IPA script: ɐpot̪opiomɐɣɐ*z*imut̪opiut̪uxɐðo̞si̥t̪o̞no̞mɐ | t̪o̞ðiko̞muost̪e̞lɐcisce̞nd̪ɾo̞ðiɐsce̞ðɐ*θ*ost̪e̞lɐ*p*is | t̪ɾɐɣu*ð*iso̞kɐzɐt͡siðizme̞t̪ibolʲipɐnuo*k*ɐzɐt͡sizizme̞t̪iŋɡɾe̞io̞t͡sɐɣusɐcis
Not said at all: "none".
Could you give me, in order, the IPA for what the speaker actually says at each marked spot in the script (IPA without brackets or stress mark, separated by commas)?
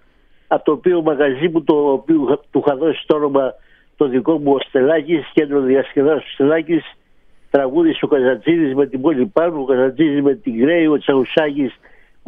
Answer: z, s, c, ð, k